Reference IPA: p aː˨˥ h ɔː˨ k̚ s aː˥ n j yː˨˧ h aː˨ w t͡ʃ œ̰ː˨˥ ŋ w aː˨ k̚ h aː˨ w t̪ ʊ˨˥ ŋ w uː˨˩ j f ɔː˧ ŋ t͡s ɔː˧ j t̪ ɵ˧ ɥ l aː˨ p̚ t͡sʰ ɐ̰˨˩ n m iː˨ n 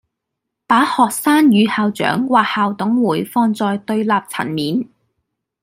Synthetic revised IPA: p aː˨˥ h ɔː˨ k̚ s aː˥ n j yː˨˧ h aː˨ w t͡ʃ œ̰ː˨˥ ŋ w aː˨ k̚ h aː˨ w t̪ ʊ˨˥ ŋ w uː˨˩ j f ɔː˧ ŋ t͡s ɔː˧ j t̪ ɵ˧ ɥ l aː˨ p̚ t͡sʰ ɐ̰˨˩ n m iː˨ n